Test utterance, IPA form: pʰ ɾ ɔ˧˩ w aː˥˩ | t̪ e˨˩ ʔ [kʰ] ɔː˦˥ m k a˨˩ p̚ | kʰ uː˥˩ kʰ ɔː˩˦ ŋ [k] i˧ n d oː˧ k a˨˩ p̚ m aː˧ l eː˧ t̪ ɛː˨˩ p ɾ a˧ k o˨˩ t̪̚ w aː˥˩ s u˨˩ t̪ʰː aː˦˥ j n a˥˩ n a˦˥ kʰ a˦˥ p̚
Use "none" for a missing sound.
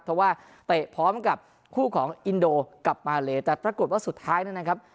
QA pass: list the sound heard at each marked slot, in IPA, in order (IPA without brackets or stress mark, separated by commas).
pʰ, ʔ